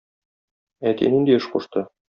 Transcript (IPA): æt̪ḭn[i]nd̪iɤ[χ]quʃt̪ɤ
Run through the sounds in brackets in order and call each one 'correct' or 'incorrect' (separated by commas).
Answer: correct, incorrect